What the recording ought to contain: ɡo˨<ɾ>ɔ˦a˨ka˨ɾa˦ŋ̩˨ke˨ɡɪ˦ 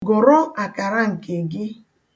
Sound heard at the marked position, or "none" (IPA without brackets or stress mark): ɾ